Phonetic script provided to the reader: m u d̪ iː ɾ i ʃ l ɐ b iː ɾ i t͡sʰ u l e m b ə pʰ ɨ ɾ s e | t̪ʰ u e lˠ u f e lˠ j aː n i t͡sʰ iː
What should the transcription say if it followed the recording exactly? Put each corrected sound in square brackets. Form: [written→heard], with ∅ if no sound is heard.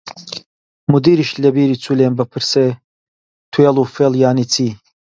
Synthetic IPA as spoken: m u d̪ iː ɾ i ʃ l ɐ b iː ɾ i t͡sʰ u l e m b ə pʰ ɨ ɾ s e | t̪ʰ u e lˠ u f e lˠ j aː n i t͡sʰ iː

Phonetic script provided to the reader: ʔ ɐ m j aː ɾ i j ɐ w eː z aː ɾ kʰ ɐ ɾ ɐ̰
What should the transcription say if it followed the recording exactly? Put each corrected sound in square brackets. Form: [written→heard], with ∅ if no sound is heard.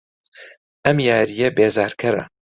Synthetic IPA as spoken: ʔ ɐ m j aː ɾ i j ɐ [w→b] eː z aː ɾ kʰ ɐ ɾ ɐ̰

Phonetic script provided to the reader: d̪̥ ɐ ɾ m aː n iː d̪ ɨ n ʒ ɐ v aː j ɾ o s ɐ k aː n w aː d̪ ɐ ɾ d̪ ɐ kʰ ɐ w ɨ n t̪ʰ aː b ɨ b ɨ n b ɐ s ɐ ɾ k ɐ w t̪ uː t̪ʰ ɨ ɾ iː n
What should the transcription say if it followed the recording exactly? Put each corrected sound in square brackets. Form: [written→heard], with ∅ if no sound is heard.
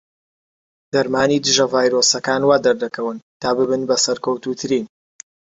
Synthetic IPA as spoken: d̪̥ ɐ ɾ m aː n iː d̪ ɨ [n→∅] ʒ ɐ v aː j ɾ o s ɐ k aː n w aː d̪ ɐ ɾ d̪ ɐ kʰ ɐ w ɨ n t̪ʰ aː b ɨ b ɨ n b ɐ s ɐ ɾ k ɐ w t̪ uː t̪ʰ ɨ ɾ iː n

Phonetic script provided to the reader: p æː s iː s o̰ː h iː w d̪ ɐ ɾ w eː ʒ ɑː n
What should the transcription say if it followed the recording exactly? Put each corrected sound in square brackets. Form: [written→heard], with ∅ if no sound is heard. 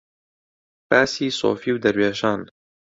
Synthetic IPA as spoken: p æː s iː s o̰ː [h→f] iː w d̪ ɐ ɾ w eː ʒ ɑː n

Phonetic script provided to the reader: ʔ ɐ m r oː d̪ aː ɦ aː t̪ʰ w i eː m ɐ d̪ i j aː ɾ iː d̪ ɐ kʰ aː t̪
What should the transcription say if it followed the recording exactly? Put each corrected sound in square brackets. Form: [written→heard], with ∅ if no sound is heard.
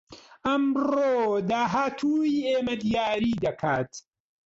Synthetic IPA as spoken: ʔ ɐ m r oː d̪ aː ɦ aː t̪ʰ [w→u] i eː m ɐ d̪ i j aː ɾ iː d̪ ɐ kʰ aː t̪

